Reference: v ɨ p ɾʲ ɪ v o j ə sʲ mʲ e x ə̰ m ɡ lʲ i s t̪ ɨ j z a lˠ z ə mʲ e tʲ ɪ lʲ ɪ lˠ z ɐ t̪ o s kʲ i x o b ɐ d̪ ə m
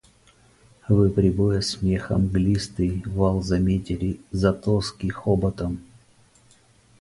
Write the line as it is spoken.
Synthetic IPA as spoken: v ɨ p ɾʲ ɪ b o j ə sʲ mʲ e x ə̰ m ɡ lʲ i s t̪ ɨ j v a lˠ z ɐ mʲ e tʲ ɪ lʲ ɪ z ɐ t̪ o s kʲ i x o b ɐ t̪ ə m